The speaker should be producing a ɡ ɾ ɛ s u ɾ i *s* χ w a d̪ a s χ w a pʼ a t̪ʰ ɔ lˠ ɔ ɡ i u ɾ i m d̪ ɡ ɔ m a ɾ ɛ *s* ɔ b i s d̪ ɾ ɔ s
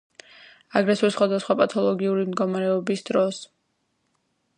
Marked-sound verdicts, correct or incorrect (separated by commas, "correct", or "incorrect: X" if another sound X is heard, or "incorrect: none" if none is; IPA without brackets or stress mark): correct, incorrect: none